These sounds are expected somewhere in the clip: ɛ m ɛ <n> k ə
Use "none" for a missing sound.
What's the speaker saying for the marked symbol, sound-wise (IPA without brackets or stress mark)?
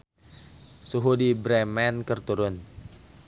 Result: n